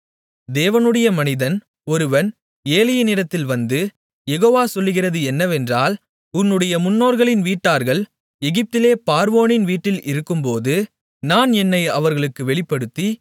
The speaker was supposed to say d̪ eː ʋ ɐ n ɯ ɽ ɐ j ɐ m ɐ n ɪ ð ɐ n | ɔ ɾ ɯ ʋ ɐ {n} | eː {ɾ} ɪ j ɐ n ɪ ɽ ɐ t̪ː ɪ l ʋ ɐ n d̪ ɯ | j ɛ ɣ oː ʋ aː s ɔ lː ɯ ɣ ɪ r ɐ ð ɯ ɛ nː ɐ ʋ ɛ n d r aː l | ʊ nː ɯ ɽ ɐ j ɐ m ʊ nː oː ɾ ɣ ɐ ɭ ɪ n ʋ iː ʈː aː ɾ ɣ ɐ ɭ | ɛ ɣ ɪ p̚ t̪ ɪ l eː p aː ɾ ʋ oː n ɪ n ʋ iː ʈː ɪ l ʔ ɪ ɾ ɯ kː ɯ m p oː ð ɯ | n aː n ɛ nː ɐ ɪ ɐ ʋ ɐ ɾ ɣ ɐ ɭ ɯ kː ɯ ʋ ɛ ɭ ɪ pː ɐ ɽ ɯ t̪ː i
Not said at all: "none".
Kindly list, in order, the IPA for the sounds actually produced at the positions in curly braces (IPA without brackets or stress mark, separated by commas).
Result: n, l